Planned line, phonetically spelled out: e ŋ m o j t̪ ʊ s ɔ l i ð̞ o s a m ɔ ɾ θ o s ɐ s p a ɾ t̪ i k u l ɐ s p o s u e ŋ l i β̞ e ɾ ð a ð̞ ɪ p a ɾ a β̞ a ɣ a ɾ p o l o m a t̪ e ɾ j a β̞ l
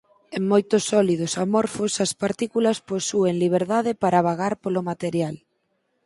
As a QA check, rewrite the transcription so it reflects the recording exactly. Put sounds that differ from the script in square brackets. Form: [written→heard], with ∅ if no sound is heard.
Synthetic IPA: e ŋ m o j t̪ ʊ s ɔ l i ð̞ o s a m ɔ ɾ [θ→f] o s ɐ s p a ɾ t̪ i k u l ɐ s p o s u e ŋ l i β̞ e ɾ ð a ð̞ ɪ p a ɾ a β̞ a ɣ a ɾ p o l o m a t̪ e ɾ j a [β̞→∅] l